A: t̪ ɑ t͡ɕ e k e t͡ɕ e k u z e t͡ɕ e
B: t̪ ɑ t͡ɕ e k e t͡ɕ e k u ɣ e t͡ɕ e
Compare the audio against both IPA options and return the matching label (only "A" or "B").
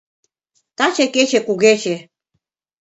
B